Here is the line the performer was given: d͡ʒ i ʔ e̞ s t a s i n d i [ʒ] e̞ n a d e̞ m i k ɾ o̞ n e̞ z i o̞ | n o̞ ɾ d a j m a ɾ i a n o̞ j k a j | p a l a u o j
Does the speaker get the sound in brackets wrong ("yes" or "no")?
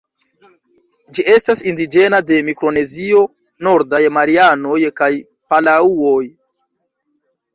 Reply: yes